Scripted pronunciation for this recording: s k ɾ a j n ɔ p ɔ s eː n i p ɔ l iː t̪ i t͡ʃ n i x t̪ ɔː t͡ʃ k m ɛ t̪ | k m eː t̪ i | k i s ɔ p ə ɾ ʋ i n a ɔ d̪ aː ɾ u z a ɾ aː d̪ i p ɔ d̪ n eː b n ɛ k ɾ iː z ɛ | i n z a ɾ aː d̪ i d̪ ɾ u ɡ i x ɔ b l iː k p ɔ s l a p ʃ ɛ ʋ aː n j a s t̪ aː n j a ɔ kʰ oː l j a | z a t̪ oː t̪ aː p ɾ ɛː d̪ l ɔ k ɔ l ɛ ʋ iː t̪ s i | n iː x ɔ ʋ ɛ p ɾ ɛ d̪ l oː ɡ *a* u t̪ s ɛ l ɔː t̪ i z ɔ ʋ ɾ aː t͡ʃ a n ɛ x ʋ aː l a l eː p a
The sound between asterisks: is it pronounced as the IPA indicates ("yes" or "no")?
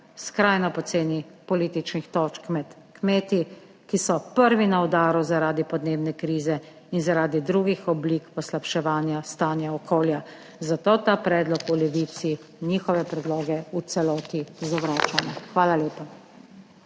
no